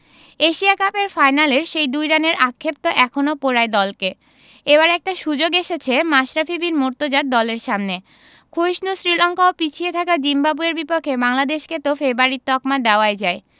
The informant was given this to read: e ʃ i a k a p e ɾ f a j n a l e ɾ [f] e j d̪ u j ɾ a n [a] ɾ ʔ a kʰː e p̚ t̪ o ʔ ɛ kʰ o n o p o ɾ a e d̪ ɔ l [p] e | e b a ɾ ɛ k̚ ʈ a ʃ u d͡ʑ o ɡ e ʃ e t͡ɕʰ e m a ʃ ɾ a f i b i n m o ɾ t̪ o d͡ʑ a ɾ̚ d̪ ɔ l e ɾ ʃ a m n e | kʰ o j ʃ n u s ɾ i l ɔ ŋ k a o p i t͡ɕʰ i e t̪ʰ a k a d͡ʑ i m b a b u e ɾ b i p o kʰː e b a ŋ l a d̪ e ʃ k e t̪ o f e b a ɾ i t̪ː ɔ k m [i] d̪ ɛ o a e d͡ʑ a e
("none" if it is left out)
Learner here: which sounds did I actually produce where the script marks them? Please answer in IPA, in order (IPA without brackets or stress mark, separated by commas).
ʃ, e, k, a